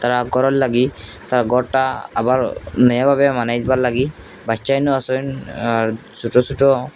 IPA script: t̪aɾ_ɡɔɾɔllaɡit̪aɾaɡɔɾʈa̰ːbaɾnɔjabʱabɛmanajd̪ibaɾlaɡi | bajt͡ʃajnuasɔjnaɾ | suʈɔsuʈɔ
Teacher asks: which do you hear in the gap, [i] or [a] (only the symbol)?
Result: a